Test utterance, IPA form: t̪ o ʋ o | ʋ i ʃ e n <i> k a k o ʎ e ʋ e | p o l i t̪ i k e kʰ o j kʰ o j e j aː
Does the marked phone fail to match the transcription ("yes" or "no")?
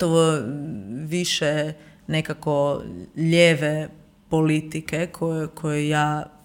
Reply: yes